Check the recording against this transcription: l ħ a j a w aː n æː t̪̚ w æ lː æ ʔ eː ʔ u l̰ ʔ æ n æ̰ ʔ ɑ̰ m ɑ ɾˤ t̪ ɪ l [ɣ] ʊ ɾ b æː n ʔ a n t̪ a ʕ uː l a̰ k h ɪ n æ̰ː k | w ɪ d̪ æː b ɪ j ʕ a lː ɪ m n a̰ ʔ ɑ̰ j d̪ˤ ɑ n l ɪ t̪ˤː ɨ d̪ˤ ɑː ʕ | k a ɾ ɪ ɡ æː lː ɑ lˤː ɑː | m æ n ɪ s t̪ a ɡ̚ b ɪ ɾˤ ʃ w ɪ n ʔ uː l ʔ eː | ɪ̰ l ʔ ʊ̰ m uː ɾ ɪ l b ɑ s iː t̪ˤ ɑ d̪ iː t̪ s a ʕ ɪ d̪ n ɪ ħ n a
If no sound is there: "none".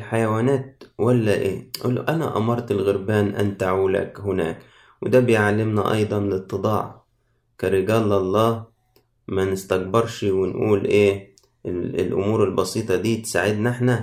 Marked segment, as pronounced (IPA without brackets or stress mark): ɣ